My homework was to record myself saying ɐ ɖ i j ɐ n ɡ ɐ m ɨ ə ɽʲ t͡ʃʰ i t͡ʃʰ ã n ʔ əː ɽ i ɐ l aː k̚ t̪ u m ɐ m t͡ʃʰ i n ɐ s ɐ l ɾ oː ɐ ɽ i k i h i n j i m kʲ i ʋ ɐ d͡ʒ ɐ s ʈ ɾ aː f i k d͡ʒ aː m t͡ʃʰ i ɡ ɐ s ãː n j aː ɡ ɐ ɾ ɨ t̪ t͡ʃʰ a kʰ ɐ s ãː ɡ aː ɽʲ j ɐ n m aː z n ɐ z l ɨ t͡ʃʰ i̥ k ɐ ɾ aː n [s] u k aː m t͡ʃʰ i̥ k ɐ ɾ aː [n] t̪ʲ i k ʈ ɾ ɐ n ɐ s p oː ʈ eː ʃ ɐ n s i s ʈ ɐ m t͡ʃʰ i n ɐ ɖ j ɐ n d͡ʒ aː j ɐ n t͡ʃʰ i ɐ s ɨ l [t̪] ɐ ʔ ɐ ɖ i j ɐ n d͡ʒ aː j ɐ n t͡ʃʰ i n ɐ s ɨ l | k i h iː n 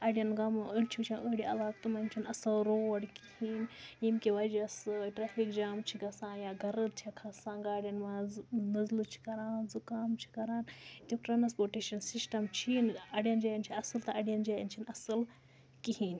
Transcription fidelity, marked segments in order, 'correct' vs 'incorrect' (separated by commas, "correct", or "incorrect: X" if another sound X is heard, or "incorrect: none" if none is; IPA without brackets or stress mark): incorrect: z, correct, correct